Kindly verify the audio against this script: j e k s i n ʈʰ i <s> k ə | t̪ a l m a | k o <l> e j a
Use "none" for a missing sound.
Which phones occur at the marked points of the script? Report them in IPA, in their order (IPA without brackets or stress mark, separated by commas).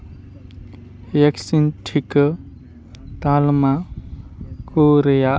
none, ɾ